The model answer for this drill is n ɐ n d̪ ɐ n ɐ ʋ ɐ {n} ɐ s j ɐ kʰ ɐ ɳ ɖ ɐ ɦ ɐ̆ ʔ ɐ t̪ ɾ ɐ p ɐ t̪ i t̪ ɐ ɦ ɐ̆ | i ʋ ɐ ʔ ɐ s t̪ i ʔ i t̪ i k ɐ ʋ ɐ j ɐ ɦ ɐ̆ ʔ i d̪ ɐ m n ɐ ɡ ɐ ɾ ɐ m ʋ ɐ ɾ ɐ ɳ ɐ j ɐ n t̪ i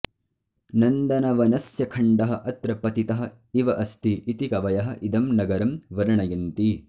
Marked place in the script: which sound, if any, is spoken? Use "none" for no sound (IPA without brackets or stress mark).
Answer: n